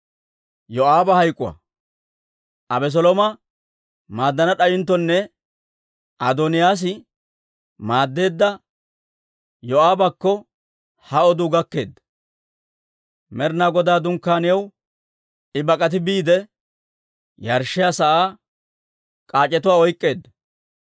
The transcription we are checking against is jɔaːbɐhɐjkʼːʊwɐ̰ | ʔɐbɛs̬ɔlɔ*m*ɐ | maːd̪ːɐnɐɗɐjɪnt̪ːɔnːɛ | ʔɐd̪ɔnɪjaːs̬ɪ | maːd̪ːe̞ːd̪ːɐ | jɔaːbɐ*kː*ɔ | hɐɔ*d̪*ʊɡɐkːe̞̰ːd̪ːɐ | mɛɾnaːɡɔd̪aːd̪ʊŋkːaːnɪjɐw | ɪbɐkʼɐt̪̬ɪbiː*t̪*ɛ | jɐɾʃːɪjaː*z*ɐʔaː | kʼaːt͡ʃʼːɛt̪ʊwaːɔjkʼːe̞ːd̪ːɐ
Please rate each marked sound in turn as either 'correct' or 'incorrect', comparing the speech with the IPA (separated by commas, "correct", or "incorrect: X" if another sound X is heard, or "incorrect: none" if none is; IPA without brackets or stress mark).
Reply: correct, correct, correct, incorrect: d̪, incorrect: s